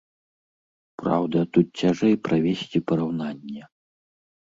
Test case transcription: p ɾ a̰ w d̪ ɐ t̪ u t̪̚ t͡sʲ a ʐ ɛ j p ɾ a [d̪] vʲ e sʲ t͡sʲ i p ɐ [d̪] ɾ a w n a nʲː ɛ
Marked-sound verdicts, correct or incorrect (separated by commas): incorrect, incorrect